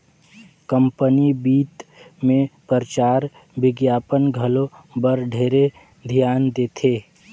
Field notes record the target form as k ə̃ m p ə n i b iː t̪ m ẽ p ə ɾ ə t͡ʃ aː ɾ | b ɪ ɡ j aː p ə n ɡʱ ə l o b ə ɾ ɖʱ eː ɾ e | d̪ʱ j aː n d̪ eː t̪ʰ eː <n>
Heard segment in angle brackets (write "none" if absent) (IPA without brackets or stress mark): none